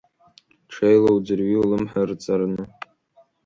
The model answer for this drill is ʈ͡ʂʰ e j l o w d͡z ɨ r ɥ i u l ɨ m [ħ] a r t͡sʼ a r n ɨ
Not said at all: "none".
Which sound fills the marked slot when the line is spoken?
ħ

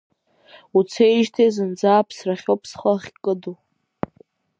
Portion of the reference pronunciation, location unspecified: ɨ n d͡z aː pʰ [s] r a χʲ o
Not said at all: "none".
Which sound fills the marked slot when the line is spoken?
s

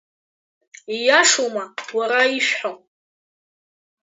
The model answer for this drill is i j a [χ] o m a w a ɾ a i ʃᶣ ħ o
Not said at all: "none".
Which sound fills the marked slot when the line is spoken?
ʂ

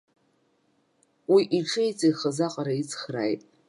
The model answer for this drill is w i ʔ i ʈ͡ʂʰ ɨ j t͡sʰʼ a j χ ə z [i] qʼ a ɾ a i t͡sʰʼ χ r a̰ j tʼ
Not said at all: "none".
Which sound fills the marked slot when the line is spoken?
a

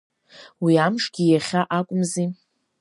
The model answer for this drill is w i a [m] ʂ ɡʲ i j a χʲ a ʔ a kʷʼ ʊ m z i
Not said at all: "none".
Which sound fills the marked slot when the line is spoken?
m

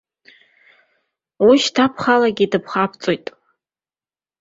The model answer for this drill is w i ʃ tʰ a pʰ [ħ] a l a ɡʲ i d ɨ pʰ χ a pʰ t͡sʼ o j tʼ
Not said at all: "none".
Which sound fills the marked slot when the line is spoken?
χ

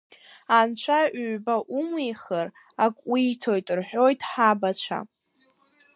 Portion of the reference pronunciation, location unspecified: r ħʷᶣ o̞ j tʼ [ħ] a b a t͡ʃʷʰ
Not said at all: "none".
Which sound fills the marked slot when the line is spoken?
ħ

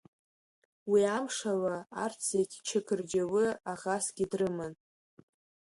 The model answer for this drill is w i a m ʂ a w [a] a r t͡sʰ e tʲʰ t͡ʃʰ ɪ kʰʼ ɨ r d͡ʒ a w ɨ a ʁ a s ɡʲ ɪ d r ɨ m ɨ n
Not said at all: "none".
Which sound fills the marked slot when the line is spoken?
a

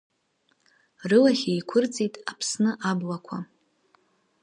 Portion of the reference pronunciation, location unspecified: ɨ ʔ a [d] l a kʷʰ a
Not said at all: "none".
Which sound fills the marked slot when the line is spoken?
b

